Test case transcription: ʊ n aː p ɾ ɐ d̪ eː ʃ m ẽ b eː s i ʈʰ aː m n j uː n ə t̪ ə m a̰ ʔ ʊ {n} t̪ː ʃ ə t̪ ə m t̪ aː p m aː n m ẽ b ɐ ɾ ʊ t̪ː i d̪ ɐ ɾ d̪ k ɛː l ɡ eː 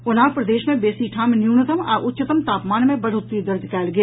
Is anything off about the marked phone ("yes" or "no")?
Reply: yes